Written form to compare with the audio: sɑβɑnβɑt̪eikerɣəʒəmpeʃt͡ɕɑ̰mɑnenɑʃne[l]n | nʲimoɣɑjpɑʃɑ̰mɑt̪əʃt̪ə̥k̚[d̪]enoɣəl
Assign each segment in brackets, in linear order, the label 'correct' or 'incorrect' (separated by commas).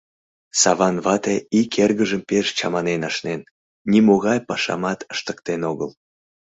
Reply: incorrect, incorrect